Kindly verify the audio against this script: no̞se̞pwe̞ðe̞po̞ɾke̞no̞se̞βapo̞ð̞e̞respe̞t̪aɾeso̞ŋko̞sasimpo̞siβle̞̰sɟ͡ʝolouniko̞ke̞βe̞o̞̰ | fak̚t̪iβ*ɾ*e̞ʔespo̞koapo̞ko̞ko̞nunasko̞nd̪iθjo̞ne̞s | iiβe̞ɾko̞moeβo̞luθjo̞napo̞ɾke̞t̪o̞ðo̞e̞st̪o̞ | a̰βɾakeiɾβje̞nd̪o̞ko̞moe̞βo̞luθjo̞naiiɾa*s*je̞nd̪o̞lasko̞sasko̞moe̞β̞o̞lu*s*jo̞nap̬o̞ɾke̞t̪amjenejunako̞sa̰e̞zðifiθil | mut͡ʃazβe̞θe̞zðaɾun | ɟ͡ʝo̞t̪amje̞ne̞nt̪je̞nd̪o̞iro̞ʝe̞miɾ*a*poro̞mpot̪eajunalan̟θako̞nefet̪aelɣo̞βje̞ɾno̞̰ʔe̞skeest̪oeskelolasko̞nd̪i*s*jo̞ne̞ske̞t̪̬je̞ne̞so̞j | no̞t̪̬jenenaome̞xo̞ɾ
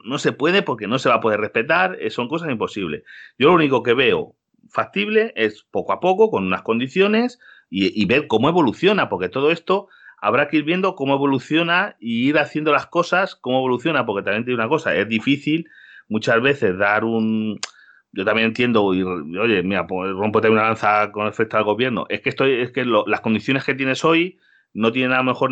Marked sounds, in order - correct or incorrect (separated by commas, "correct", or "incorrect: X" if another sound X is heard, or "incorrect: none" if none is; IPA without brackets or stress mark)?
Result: incorrect: l, incorrect: θ, incorrect: θ, correct, incorrect: θ